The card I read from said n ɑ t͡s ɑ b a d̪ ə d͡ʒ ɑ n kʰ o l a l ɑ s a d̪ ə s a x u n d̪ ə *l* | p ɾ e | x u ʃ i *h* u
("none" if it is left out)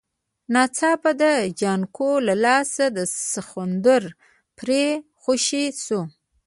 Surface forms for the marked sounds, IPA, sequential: ɾ, s

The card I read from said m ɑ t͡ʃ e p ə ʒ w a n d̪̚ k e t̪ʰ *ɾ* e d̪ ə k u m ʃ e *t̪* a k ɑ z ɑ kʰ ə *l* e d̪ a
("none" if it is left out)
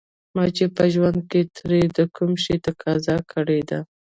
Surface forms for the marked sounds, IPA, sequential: ɾ, t̪, ɽ

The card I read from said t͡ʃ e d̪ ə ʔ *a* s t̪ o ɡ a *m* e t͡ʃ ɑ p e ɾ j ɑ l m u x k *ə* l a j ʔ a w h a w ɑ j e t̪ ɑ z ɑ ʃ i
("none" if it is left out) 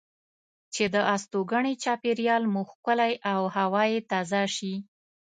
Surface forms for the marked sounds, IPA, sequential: a, ɳ, ə

